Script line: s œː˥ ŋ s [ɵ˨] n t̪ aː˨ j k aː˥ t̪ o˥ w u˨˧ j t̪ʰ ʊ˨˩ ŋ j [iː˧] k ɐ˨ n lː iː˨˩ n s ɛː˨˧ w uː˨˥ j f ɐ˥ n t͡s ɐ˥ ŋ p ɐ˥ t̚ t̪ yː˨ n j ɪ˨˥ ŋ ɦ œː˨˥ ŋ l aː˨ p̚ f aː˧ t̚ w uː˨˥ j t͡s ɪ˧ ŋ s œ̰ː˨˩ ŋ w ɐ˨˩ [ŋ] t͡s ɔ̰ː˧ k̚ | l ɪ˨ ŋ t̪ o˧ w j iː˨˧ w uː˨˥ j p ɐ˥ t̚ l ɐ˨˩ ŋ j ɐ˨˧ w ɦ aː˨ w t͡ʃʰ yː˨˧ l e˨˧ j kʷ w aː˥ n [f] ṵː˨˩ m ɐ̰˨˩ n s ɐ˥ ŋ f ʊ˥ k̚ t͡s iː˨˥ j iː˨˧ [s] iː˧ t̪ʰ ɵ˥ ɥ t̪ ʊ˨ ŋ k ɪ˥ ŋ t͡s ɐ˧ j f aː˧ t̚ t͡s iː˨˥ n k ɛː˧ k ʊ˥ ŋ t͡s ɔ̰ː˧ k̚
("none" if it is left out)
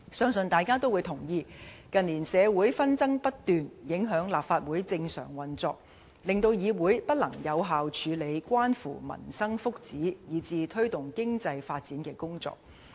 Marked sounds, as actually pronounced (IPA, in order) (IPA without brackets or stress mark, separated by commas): ɵ˨, iː˧, n, f, t͡s